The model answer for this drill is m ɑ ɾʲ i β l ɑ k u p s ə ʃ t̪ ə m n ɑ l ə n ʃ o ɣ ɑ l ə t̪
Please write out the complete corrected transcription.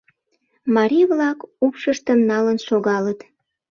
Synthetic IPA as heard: m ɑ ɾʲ i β l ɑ k u p ʃ ə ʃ t̪ ə m n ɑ l ə n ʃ o ɣ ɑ l ə t̪